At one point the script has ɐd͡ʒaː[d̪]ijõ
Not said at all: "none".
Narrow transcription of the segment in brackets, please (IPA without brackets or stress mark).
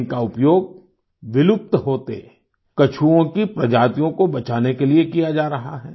t̪